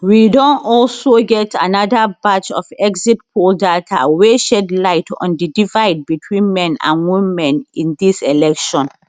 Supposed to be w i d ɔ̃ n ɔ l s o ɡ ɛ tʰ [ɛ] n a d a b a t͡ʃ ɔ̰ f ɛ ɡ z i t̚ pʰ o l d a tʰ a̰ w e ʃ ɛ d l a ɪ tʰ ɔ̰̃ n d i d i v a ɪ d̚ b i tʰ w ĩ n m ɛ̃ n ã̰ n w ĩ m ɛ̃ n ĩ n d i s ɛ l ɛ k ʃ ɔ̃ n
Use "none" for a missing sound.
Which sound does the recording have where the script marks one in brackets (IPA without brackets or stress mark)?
a